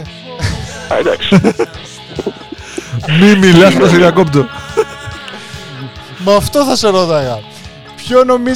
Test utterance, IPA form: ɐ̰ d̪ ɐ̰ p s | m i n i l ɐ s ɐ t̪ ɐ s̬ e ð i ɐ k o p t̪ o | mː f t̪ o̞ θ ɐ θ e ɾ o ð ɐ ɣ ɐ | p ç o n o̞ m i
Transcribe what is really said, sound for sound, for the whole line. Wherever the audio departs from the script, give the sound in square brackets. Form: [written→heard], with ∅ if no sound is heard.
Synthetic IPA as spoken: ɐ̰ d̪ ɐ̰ [p→k] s | m i [n→m] i l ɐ s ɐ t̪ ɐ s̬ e ð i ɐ k o p t̪ o | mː f t̪ o̞ θ ɐ [θ→s] e ɾ o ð ɐ ɣ ɐ | p ç o n o̞ m i